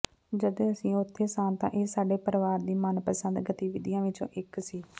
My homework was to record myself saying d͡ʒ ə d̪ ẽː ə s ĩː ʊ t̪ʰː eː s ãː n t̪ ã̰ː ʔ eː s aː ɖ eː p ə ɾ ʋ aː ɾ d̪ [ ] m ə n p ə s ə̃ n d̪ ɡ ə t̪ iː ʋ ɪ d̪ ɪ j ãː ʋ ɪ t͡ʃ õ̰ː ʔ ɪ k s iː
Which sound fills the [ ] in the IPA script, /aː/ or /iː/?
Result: iː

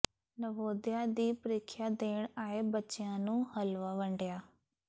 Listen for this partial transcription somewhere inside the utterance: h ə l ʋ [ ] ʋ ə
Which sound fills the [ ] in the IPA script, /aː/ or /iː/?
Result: aː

